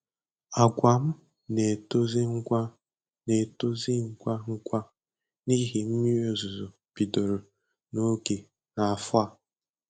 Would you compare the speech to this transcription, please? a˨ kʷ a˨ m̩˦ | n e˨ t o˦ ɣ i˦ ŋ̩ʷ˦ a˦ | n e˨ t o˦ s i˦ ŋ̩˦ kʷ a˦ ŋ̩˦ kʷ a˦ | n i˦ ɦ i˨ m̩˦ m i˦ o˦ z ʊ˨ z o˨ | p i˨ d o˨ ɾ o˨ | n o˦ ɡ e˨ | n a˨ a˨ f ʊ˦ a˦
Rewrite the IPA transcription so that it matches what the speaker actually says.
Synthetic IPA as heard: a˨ ɡʷ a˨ m̩˦ | n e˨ t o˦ z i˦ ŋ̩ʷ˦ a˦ | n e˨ t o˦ z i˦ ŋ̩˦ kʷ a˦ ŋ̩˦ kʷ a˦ | n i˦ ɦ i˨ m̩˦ m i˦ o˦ z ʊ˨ z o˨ | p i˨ d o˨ ɾ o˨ | n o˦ ɡ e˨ | n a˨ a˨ f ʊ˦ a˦